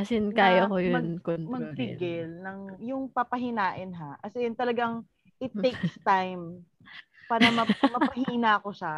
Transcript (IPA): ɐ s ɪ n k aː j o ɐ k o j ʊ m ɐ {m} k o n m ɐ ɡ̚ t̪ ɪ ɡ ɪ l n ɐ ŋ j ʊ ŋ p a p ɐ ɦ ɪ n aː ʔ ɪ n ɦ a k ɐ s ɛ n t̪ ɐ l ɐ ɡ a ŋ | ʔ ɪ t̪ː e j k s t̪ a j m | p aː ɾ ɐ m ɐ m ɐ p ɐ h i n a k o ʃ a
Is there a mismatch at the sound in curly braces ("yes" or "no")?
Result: yes